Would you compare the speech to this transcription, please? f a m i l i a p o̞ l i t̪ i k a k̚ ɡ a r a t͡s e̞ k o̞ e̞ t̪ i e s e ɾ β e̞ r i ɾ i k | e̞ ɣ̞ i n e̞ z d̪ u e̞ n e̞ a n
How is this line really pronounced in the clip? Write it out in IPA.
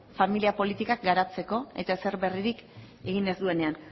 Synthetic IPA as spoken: f a m i l i a p o̞ l i t̪ i k a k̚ ɡ a ɾ a t͡s e̞ k o̞ e̞ t̪ a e s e ɾ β e̞ r i ɾ i k | e̞ ɣ̞ i n e̞ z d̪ u e̞ n e̞ a n

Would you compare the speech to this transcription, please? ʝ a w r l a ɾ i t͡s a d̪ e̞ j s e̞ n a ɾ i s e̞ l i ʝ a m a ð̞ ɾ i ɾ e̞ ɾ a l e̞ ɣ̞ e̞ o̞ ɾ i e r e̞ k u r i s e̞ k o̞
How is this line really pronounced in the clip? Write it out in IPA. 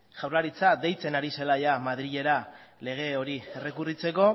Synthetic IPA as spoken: ʝ a w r l a ɾ i t͡s a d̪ e̞ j t͡s e̞ n a ɾ i s e̞ l a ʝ a m a ð̞ ɾ i ʎ e̞ ɾ a l e̞ ɣ̞ e̞ o̞ ɾ i e r e̞ k u r i t͡s e̞ k o̞

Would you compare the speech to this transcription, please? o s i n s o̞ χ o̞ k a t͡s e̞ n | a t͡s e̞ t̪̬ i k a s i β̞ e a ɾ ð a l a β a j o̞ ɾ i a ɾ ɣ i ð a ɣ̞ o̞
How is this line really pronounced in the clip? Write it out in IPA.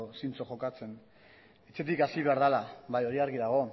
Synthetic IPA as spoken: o s i n t͡s o̞ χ o̞ k a t͡s e̞ n | e t͡s e̞ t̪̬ i k a s i β̞ e a ɾ ð a l a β a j o̞ ɾ i a ɾ ɣ i ð a ɣ̞ o̞

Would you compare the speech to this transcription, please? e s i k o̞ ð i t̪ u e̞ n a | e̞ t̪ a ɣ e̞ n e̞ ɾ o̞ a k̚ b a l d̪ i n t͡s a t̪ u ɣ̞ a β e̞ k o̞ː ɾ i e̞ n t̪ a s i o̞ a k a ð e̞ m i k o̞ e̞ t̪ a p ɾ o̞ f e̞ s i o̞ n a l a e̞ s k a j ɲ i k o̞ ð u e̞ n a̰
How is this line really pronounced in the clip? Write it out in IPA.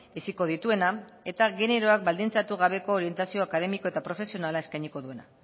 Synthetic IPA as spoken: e s i k o̞ ð i t̪ u e̞ n a | e̞ t̪ a ɣ e̞ n e̞ ɾ o̞ a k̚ b a l d̪ i n t͡s a t̪ u ɣ̞ a β e̞ k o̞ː ɾ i e̞ n t̪ a s i o̞ a k a ð e̞ m i k o̞ e̞ t̪ a p ɾ o̞ f e̞ s i o̞ n a l a e̞ s k a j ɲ i k o̞ ð u e̞ n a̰

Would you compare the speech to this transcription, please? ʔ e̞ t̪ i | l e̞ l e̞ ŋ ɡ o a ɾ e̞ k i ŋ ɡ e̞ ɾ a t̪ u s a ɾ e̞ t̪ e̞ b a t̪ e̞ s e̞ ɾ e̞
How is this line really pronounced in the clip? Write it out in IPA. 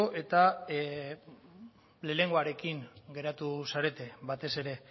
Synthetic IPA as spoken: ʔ e̞ t̪ a | l e̞ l e̞ ŋ ɡ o a ɾ e̞ k i ŋ ɡ e̞ ɾ a t̪ u s a ɾ e̞ t̪ e̞ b a t̪ e̞ s e̞ ɾ e̞

